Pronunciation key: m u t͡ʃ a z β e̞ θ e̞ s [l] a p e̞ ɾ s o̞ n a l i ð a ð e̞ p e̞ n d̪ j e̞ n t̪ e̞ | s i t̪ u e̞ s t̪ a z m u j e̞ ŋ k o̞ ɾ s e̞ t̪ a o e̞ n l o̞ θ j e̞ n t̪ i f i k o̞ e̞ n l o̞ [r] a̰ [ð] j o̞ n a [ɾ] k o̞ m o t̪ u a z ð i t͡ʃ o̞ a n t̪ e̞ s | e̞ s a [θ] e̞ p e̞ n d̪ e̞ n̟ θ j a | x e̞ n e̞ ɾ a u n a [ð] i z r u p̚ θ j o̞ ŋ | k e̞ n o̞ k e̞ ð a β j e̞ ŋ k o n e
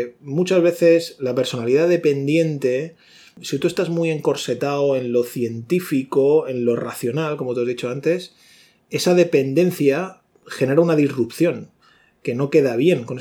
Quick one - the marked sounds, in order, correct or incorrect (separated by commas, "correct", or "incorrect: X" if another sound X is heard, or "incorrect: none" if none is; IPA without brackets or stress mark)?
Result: correct, correct, incorrect: θ, incorrect: l, incorrect: ð, correct